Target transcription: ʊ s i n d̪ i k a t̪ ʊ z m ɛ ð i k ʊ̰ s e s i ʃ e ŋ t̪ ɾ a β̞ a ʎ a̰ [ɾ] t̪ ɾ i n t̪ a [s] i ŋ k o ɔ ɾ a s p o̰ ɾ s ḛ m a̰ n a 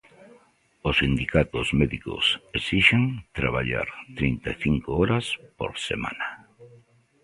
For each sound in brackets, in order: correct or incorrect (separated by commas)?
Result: correct, incorrect